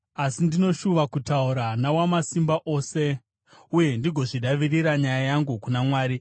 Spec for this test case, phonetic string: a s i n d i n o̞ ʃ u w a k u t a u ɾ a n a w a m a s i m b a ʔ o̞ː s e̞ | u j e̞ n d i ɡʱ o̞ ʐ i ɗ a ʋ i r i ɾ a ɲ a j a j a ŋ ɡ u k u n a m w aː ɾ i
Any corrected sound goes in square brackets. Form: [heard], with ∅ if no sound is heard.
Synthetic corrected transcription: a s i n d i n o̞ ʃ u [ʋ] a k u t a u ɾ a n a w a m a s i m b a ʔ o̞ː s e̞ | u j e̞ n d i ɡʱ o̞ ʐ i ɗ a ʋ i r i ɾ a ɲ a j a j a ŋ ɡ u k u n a m w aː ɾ i